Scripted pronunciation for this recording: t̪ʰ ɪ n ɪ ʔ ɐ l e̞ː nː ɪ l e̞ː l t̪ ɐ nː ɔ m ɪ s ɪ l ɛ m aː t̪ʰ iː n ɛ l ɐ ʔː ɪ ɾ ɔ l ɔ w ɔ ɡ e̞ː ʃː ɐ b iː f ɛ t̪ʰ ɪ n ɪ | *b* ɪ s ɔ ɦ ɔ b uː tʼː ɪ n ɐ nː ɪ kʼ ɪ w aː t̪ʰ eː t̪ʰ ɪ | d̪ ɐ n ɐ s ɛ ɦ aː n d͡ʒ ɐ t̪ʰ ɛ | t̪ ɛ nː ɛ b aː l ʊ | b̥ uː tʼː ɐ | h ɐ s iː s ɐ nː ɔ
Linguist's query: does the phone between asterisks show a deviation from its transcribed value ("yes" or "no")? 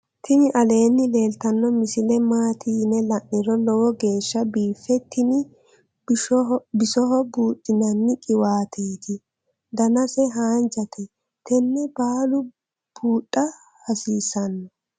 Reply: no